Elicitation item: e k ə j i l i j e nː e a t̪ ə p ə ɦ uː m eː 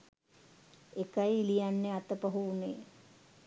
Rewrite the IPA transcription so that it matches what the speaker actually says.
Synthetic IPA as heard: e k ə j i l i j a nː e a t̪ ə p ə ɦ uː n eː